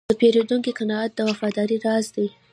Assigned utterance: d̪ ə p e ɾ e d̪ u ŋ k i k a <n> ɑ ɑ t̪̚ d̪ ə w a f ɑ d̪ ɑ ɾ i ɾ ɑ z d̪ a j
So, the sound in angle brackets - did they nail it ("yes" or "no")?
yes